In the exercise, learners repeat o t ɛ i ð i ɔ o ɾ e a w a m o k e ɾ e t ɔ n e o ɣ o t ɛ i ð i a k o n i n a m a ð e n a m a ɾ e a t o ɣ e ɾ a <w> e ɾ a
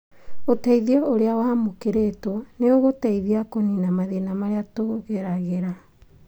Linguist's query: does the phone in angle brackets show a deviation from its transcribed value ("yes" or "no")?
yes